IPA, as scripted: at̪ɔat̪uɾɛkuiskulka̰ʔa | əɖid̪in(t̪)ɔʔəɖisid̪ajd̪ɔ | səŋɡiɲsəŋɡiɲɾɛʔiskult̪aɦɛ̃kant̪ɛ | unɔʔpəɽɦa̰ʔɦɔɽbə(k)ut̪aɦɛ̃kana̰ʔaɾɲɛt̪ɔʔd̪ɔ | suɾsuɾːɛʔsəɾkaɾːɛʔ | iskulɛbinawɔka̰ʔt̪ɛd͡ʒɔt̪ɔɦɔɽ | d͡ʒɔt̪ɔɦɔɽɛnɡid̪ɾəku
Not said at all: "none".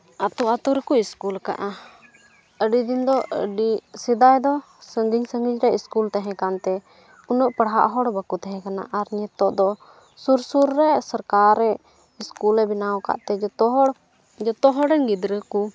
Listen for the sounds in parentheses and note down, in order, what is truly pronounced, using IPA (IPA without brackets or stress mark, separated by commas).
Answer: d̪, k